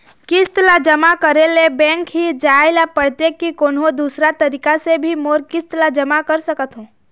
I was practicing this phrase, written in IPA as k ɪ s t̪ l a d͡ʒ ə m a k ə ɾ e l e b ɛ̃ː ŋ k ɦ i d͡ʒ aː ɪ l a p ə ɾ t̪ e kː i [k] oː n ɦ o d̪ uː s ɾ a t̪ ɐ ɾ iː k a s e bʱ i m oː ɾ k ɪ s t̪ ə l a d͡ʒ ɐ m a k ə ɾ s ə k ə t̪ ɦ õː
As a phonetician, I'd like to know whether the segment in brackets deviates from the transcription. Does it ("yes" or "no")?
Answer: no